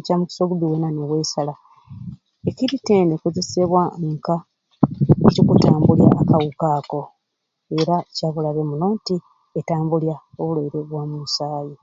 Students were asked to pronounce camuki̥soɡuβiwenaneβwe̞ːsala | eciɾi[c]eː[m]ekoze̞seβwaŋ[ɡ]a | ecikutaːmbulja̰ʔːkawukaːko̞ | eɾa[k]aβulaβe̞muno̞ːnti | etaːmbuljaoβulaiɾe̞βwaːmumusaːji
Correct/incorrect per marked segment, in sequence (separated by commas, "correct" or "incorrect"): incorrect, incorrect, incorrect, incorrect